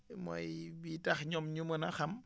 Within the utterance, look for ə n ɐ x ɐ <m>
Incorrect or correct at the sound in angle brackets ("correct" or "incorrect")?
correct